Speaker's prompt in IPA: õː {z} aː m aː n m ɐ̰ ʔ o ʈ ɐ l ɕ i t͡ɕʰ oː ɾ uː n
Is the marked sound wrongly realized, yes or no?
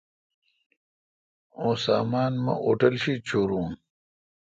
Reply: yes